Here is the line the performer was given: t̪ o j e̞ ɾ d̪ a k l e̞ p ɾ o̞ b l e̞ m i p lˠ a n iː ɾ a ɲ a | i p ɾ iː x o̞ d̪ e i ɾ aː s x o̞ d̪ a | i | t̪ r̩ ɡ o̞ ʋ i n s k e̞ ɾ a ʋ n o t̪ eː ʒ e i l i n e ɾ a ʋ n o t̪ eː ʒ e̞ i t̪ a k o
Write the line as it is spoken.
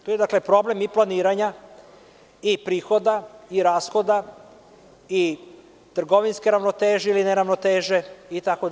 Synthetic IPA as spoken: t̪ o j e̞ d̪ a k l e̞ p ɾ o̞ b l e̞ m i p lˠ a n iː ɾ a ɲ a | i p ɾ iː x o̞ d̪ a i ɾ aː s x o̞ d̪ a | i | t̪ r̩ ɡ o̞ ʋ i n s k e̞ ɾ a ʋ n o t̪ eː ʒ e i l i n e ɾ a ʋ n o t̪ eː ʒ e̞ i t̪ a k o